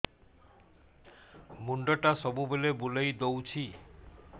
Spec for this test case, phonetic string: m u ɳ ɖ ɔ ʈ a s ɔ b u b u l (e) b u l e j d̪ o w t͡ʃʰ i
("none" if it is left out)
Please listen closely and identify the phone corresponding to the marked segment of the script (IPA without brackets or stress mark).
e